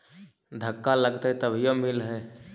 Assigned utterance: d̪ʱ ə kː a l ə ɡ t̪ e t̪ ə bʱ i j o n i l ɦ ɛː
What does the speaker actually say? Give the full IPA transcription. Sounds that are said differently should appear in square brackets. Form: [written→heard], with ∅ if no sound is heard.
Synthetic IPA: d̪ʱ ə kː a l ə ɡ t̪ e t̪ ə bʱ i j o [n→m] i l ɦ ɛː